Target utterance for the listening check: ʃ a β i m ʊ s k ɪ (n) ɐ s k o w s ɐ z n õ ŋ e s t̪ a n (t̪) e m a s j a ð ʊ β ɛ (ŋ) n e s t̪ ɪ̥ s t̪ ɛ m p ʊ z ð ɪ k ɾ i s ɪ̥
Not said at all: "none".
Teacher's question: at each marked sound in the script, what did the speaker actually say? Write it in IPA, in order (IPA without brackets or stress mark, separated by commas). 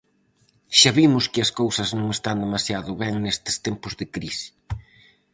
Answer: none, d̪, ŋ